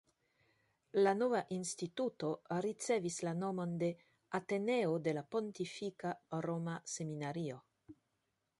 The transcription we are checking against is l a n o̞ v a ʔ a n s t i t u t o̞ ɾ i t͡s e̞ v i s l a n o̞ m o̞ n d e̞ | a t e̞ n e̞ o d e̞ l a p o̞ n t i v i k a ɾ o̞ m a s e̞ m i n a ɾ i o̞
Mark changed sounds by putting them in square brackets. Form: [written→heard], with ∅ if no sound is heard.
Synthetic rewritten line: l a n o̞ v a ʔ [a→i] n s t i t u t o̞ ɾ i t͡s e̞ v i s l a n o̞ m o̞ n d e̞ | a t e̞ n e̞ o d e̞ l a p o̞ n t i [v→f] i k a ɾ o̞ m a s e̞ m i n a ɾ i o̞